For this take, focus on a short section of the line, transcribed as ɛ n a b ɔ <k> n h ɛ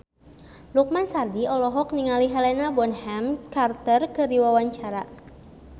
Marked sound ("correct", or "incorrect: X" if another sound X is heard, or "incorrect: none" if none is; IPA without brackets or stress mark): incorrect: none